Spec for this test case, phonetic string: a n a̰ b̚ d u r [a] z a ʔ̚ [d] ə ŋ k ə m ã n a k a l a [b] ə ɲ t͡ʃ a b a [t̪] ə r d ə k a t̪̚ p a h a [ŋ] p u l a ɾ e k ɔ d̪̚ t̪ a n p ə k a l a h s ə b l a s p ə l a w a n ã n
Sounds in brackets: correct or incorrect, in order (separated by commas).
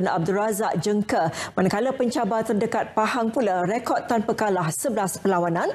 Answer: correct, incorrect, incorrect, correct, correct